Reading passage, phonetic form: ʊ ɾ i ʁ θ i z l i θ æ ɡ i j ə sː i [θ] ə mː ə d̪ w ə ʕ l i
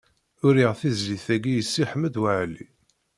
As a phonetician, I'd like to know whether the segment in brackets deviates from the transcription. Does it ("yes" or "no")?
yes